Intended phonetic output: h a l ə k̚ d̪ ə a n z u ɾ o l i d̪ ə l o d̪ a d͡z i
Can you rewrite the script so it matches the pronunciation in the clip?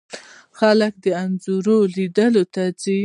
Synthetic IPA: x a l ə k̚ d̪ ə a n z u ɾ o l i d̪ ə l o t̪ a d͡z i